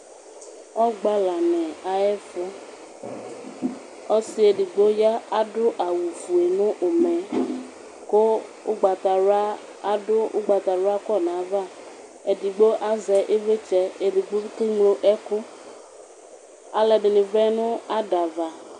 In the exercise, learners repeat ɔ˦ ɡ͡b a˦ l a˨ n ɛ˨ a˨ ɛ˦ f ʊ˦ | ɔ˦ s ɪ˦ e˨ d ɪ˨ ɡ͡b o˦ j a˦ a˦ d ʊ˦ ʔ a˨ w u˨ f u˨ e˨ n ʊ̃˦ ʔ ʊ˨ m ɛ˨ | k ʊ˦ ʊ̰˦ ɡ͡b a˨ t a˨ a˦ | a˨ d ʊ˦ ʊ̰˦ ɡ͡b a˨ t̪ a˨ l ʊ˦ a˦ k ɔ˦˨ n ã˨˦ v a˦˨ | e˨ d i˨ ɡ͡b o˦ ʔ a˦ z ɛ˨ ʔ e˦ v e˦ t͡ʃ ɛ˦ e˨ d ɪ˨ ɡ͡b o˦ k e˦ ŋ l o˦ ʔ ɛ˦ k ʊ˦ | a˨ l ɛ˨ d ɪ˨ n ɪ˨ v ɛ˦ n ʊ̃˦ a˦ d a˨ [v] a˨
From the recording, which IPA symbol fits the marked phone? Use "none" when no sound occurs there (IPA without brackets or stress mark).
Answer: v